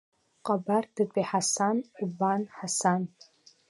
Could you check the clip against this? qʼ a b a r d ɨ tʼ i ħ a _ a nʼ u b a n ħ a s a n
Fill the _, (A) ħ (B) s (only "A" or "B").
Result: B